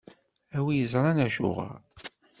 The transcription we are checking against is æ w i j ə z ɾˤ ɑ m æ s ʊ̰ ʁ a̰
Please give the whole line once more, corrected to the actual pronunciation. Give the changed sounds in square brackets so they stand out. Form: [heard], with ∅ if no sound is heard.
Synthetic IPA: æ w i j ə z ɾˤ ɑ [n] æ [ʃ] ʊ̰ ʁ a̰